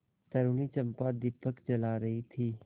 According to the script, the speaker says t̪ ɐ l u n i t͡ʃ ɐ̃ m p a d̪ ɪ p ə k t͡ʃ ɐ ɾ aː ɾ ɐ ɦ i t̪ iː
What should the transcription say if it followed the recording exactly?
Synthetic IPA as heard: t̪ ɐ ɾ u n i t͡ʃ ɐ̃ m p a d̪ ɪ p ə k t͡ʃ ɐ l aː ɾ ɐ ɦ i t̪ʰ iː